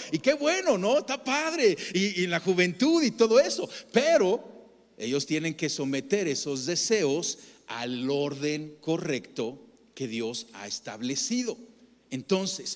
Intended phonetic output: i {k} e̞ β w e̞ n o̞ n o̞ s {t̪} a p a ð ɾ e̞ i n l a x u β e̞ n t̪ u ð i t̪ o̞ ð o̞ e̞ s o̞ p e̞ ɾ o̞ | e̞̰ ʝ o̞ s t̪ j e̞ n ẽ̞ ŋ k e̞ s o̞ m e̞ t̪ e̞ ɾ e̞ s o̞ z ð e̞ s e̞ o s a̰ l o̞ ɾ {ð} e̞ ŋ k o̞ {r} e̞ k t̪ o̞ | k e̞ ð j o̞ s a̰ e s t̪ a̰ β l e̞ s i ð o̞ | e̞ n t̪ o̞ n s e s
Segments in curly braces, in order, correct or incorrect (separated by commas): correct, correct, correct, correct